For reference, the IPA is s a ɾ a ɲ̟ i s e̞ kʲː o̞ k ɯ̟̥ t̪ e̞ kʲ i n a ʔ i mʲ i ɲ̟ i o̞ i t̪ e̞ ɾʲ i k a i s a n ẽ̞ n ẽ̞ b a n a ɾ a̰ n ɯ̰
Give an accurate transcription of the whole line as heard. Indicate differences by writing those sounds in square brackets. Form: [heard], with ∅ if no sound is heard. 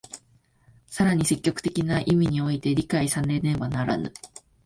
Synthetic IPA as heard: s a ɾ a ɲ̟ i s e̞ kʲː o̞ k ɯ̟̥ t̪ e̞ kʲ i n a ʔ i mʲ i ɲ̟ i o̞ i t̪ e̞ ɾʲ i k a i s a n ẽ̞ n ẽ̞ b a n a ɾ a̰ n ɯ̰